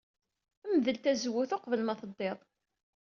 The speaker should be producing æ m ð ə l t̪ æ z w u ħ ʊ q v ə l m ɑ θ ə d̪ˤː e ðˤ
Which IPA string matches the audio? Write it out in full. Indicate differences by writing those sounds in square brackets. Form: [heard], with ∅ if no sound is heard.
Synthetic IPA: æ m ð ə l t̪ æ z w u [θ] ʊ q v ə l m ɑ θ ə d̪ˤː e ðˤ

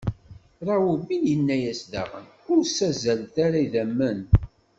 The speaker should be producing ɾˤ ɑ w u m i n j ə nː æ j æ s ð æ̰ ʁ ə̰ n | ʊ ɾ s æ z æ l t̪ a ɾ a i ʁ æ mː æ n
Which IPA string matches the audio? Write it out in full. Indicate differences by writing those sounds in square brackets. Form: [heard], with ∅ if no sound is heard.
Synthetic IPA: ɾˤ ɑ w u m i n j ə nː æ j æ s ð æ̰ ʁ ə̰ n | ʊ ɾ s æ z æ l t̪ a ɾ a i [ð] æ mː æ n

